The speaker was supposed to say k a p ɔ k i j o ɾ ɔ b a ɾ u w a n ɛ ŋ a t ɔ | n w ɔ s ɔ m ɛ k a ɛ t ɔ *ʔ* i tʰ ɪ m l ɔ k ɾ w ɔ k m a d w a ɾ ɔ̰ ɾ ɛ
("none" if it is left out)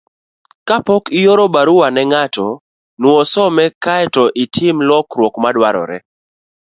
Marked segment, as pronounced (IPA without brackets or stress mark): ʔ